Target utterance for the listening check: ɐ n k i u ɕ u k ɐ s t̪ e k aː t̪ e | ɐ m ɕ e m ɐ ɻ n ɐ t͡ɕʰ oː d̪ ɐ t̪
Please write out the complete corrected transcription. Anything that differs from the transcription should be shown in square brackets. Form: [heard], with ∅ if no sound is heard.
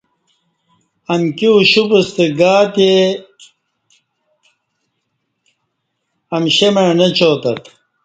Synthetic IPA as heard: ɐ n k i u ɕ u [p] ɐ s t̪ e [ɡ] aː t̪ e | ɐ m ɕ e m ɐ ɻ n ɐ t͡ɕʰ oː [t̪] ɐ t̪